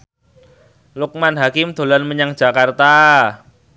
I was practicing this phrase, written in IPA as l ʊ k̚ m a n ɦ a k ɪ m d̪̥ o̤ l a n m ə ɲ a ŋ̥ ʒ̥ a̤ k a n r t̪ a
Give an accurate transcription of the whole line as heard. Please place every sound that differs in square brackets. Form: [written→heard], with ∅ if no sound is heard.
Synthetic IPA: l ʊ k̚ m a n ɦ a k ɪ m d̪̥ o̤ l a n m ə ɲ a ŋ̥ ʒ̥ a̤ k a [n→∅] r t̪ a

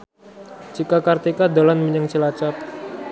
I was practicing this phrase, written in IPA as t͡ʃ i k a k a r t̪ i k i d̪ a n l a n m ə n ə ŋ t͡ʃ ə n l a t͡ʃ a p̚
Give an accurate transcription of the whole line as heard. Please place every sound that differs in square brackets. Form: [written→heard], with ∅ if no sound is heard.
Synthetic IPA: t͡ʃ i k a k a r t̪ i k [i→a] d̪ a [n→∅] l a n m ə [n→ɲ] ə ŋ t͡ʃ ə [n→∅] l a t͡ʃ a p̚

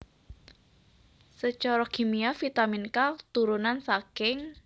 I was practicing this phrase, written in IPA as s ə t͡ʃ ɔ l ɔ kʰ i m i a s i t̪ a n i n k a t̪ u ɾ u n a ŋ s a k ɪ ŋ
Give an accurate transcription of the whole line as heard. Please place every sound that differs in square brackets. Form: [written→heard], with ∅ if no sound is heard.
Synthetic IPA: s ə t͡ʃ ɔ [l→ɾ] ɔ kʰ i m i a [s→f] i t̪ a [n→m] i n k a t̪ u ɾ u n a [ŋ→n] s a k ɪ ŋ

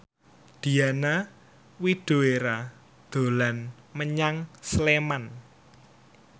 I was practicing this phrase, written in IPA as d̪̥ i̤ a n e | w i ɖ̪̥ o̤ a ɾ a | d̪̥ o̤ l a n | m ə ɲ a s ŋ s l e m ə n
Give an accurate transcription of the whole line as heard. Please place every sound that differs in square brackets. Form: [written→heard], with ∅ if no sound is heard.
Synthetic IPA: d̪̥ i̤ a n [e→a] | w i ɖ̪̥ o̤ [a→e] ɾ a | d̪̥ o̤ l a n | m ə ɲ a [s→∅] ŋ s l e m [ə→a] n

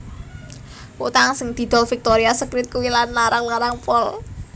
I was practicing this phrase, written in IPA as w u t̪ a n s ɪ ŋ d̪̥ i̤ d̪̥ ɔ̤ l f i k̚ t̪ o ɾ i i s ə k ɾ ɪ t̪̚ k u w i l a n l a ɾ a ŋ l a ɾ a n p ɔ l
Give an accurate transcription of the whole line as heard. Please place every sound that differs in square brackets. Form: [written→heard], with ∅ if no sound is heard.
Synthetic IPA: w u t̪ a [n→ŋ] s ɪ ŋ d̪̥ i̤ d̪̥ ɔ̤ l f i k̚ t̪ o ɾ i [i→a] s ə k ɾ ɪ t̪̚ k u w i l a n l a ɾ a ŋ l a ɾ a [n→ŋ] p ɔ l

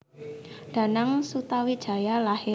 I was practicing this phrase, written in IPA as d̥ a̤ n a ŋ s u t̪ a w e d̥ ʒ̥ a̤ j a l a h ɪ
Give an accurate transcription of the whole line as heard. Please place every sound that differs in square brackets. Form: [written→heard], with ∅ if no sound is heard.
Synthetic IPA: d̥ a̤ n a ŋ s u t̪ a w [e→i] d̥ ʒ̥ a̤ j a l a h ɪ

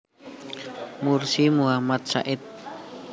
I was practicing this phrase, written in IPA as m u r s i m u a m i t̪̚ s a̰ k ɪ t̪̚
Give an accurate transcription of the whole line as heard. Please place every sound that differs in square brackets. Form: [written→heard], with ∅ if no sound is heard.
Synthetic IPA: m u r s i m u a m [i→a] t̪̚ s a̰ [k→ʔ] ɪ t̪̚

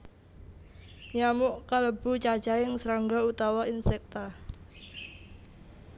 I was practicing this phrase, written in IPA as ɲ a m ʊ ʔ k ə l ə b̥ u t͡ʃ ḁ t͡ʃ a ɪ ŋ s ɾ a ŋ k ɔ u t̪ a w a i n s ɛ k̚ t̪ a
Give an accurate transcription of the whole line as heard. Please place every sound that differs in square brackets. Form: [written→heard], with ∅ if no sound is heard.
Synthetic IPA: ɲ a m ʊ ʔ k [ə→a] l ə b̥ u t͡ʃ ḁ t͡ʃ a ɪ ŋ s ɾ a ŋ [k→ɡ] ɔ u t̪ a w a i n s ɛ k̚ t̪ a

